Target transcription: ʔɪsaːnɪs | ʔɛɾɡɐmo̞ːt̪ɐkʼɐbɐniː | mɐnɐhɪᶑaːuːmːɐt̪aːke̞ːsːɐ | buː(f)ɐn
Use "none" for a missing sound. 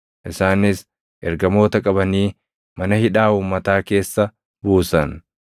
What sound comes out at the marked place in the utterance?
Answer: s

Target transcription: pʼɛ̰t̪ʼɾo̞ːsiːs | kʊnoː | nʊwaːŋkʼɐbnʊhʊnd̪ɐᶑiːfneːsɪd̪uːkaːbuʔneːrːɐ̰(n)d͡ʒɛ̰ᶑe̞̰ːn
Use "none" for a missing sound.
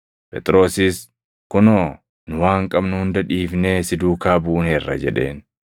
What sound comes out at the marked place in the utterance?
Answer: none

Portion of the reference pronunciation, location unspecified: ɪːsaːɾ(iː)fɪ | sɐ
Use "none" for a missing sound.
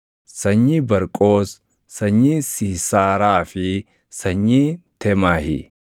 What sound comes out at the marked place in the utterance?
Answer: aː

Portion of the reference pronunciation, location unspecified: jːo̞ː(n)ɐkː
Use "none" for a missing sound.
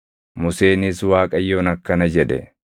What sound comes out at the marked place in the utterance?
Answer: n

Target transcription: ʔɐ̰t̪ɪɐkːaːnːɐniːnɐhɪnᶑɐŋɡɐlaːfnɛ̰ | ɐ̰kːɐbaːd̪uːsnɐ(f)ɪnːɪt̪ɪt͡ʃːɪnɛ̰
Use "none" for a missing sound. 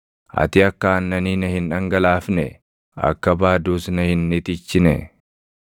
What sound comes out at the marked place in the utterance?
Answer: h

